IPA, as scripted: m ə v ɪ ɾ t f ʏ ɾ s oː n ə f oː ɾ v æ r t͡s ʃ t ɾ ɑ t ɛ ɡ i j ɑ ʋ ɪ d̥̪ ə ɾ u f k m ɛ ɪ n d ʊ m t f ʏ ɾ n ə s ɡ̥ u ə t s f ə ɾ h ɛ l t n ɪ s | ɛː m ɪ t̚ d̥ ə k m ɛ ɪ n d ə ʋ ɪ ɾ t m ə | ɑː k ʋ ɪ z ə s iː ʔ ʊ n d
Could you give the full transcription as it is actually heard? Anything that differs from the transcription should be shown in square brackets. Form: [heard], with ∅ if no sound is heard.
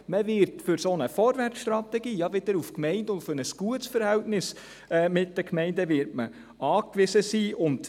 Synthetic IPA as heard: m ə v ɪ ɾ t f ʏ ɾ s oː n ə f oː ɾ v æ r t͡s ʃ t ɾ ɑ t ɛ ɡ [iː] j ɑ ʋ ɪ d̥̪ ə ɾ u f k m ɛ ɪ n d ʊ [n] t f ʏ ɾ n ə s ɡ̥ u ə t s f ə ɾ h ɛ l t n ɪ s | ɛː m ɪ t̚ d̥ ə k m ɛ ɪ n d ə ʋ ɪ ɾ t m ə | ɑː k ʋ ɪ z ə s iː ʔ ʊ n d